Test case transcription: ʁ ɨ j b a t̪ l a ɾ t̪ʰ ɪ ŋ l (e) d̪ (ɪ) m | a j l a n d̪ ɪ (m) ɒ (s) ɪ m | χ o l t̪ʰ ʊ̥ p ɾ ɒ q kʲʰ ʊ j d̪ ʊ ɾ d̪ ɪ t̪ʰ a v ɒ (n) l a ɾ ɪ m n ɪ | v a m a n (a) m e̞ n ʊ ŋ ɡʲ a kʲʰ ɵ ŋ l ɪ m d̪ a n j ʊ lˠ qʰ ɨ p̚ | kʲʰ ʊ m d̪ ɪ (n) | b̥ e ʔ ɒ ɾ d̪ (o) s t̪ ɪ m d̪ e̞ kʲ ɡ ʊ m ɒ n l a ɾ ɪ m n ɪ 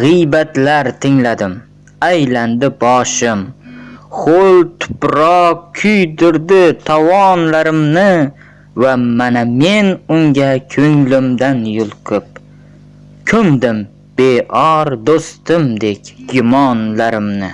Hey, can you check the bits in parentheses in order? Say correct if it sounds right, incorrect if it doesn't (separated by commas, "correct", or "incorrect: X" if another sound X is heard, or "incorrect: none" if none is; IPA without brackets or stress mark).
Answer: incorrect: a, correct, incorrect: b, incorrect: ʃ, correct, correct, incorrect: m, correct